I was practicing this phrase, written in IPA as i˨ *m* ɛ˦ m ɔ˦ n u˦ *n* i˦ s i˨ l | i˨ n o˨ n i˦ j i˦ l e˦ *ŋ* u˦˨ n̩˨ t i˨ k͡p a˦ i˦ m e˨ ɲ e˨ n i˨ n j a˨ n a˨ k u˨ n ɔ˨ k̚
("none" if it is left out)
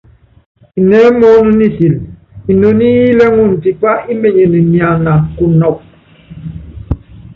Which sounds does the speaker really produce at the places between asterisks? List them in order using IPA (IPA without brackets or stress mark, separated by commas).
n, n, ŋ